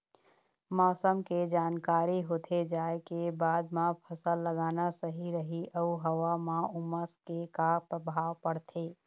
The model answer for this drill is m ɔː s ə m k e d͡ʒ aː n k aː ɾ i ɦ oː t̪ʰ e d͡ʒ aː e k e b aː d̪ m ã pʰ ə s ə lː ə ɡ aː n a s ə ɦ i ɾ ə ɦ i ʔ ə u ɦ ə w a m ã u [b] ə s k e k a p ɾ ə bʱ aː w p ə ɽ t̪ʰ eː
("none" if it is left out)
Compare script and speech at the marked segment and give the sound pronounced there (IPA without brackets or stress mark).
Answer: m